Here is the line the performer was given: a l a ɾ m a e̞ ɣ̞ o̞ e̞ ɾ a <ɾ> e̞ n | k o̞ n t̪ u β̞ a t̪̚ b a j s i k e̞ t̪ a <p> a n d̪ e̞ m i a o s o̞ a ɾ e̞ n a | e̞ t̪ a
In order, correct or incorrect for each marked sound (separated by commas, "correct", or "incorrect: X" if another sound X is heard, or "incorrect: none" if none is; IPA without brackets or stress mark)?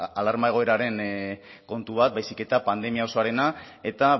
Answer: correct, correct